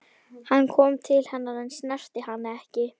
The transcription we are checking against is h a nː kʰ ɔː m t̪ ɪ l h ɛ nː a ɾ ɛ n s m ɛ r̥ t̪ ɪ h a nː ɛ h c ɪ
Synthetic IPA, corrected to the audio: h a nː kʰ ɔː m t̪ʰ ɪ l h ɛ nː a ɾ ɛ n s n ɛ r̥ t̪ ɪ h a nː ɛ h c ɪ